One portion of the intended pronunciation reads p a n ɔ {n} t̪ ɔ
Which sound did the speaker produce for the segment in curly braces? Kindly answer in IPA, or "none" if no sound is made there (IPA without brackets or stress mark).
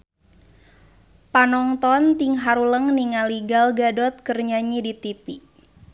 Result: ŋ